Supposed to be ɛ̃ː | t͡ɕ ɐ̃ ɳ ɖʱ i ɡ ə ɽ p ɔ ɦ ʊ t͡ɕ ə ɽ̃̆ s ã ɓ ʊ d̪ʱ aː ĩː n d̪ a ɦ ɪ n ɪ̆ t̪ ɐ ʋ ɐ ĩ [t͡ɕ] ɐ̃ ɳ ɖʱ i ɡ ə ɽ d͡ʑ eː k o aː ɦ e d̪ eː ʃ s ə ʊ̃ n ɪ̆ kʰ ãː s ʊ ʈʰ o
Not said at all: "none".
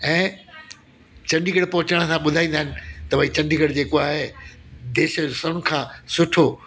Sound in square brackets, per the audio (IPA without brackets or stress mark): t͡ɕ